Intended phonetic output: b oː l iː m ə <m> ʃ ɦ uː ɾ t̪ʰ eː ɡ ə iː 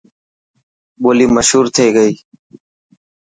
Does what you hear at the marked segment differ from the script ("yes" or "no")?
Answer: yes